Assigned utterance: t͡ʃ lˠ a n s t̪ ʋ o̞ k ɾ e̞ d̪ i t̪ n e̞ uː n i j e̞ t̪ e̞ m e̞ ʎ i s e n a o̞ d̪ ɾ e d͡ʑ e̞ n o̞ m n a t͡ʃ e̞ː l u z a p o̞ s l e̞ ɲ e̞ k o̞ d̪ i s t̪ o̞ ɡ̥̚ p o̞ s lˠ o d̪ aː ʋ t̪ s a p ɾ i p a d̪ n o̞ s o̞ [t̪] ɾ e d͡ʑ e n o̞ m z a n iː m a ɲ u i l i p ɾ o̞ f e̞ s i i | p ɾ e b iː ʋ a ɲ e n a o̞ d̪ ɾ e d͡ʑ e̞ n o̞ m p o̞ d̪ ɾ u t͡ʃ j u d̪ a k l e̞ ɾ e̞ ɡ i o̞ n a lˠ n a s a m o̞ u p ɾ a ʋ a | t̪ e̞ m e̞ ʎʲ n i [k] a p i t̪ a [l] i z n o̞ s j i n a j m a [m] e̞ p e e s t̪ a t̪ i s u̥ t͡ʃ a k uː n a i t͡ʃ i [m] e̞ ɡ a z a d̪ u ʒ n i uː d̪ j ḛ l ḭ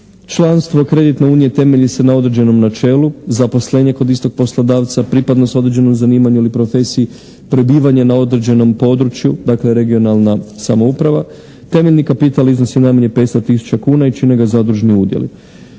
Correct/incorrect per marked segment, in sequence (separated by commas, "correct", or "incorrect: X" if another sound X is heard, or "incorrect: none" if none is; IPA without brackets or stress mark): incorrect: d̪, correct, correct, incorrect: ɲ, incorrect: n